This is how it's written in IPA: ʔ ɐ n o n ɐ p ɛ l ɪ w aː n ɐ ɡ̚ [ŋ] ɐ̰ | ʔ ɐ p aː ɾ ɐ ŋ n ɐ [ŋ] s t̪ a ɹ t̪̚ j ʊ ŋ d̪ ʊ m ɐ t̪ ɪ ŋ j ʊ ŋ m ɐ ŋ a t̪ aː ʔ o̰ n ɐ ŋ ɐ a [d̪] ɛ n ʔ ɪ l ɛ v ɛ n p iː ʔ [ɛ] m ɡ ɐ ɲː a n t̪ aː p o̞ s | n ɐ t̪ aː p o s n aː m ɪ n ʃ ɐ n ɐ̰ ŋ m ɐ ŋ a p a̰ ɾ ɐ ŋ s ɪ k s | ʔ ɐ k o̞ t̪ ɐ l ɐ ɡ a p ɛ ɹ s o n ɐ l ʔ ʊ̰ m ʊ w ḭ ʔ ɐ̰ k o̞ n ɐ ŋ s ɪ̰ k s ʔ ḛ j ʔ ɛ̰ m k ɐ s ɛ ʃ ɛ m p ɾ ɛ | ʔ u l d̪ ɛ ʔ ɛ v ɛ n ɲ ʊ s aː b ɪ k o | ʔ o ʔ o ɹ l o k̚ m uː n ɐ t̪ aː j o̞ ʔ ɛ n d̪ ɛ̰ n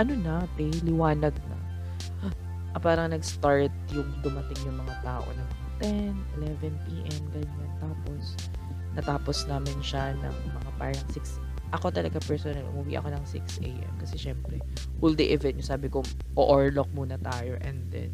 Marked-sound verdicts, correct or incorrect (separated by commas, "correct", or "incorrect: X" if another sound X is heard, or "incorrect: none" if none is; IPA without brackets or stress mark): incorrect: n, incorrect: ɡ, incorrect: t̪, correct